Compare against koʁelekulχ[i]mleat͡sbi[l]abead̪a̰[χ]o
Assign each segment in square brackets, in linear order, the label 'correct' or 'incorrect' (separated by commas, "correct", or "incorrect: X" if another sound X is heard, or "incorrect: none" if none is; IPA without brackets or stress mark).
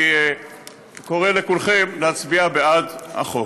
incorrect: e, incorrect: none, correct